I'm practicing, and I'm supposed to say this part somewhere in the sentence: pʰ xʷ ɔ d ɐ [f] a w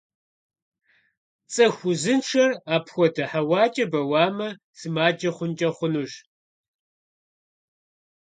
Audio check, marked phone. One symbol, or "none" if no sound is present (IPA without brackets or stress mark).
ħ